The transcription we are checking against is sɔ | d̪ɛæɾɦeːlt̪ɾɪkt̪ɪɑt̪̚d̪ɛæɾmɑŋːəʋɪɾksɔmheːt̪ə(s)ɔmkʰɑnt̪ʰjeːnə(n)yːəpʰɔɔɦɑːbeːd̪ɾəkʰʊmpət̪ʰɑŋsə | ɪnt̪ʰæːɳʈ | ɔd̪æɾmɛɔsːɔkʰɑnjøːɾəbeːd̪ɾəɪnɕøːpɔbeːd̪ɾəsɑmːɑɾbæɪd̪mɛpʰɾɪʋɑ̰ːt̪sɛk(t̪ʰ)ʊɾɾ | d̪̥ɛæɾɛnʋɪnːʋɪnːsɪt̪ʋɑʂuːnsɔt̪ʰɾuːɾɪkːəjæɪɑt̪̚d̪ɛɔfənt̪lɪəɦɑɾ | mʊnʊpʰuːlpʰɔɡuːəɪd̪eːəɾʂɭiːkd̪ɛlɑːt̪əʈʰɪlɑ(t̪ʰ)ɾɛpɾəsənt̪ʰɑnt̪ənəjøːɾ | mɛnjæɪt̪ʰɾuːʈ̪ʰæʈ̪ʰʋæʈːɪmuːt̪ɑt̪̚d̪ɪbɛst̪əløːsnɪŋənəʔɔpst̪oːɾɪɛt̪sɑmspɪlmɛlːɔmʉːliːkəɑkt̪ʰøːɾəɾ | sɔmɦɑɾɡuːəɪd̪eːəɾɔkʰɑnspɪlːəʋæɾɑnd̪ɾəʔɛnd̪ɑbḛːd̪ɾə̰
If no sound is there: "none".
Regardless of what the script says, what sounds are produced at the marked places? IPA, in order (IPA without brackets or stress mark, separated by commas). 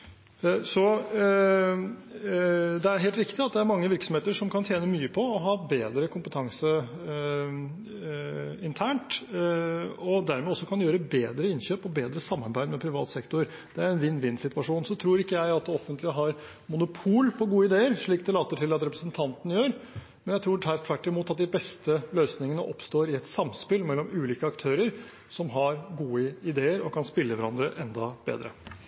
ʂ, m, t̪, t̪